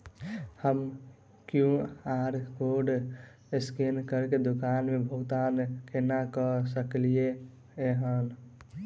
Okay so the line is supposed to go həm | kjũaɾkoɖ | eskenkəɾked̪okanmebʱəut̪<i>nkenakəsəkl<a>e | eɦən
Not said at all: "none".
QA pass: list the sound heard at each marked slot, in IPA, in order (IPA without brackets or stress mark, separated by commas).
a, i